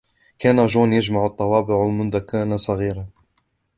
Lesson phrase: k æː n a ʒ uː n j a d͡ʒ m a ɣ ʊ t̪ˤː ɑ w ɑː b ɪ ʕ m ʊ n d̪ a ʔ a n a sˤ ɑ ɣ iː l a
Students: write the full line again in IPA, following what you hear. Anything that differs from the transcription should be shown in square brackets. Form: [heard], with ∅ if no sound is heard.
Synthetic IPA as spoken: k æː n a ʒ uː n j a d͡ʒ m a [ʕ] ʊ t̪ˤː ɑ w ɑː b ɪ ʕ m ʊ n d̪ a [k] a n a sˤ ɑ ɣ iː [ɾ] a